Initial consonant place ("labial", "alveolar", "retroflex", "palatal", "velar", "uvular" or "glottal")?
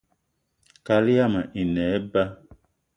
velar